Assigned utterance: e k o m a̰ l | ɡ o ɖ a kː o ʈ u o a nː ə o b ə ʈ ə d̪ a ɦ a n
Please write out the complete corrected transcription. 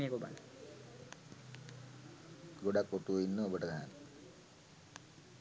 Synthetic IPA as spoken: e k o b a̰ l | ɡ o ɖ a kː o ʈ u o i nː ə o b ə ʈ ə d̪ a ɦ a n